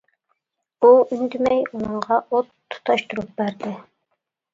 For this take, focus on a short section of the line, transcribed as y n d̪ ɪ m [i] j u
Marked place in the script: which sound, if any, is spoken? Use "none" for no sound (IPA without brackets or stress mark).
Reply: ɛ